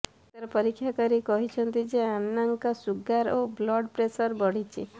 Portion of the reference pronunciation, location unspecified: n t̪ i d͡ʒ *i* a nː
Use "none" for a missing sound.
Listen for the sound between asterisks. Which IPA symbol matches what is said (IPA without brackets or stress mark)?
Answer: e